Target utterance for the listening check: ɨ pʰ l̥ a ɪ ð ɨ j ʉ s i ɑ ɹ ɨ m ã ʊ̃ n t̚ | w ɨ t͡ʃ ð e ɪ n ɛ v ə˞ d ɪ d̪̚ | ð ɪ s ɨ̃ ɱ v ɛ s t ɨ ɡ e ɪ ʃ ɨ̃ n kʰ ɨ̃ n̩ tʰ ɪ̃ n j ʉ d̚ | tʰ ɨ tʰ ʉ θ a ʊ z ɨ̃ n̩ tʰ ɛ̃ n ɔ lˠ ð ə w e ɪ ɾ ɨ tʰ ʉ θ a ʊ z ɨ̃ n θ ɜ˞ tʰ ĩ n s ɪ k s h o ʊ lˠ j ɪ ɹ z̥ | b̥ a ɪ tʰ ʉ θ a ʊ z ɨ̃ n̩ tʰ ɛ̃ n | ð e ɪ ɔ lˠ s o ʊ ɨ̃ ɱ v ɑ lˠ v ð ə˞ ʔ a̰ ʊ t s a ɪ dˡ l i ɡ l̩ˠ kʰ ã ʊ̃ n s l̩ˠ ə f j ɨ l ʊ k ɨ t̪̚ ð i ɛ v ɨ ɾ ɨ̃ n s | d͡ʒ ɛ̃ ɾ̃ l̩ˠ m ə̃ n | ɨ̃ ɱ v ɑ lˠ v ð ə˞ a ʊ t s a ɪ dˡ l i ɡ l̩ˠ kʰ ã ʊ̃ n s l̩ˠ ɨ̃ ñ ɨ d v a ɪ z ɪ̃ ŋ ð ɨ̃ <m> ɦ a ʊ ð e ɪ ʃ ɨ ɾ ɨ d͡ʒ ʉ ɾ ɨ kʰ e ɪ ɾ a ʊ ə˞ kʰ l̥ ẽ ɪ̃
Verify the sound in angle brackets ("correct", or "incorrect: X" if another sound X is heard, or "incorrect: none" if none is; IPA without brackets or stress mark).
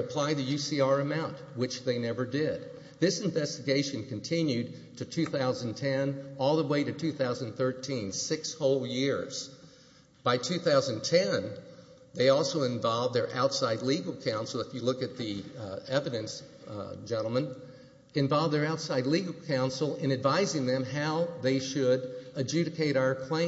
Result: correct